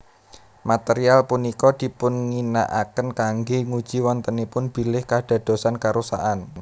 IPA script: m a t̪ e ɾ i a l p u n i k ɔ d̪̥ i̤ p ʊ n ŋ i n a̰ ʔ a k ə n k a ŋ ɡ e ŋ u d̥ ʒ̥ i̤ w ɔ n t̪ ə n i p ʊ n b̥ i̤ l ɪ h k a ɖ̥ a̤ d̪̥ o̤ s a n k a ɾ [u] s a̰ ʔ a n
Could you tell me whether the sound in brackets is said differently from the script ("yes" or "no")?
no